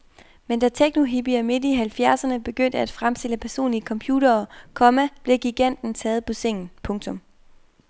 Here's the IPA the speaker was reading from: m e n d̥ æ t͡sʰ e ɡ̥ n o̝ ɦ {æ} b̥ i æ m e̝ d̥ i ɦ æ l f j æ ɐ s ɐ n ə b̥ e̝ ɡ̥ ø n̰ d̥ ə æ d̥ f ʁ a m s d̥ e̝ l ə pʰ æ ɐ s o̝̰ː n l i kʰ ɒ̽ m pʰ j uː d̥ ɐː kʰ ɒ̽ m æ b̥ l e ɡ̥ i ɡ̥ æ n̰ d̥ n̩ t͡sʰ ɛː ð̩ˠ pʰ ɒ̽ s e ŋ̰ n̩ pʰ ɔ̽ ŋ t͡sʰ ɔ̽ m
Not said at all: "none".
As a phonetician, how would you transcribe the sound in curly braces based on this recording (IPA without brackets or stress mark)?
i